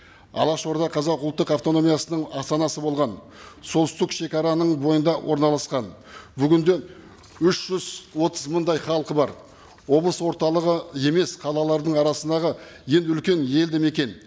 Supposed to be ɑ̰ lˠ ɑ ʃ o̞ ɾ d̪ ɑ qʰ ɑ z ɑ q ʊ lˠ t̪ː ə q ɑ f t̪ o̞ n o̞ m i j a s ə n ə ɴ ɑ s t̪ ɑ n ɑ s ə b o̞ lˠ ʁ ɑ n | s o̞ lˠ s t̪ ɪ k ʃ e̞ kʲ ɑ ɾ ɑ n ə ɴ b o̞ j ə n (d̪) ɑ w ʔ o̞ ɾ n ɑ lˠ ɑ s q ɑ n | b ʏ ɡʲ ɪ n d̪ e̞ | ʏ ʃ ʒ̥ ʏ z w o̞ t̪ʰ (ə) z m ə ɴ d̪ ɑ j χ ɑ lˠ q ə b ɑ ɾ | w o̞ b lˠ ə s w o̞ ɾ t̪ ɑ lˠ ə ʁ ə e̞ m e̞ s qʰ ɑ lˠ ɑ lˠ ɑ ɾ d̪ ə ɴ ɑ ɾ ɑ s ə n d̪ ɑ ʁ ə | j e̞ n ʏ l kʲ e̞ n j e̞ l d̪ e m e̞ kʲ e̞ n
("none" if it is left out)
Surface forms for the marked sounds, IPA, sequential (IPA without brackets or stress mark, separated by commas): d̪, ə